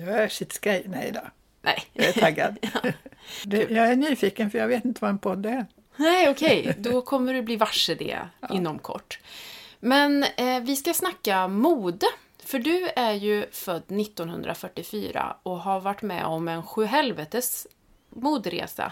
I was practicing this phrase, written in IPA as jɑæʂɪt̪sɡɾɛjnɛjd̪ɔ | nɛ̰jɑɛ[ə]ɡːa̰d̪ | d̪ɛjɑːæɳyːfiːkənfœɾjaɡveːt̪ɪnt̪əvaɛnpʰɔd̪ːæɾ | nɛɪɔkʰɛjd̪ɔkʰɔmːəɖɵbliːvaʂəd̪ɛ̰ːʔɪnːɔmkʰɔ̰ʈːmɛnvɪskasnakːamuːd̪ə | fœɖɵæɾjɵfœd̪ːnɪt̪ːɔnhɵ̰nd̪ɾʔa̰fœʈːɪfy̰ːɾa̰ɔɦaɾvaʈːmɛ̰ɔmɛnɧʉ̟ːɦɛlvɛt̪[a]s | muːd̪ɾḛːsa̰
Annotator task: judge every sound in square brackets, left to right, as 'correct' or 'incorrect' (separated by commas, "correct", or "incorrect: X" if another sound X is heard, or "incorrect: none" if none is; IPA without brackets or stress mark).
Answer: incorrect: a, incorrect: ə